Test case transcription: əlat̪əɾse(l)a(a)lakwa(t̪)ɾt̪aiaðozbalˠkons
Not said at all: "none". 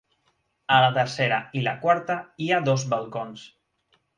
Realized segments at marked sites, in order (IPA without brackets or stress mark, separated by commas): ɾ, i, none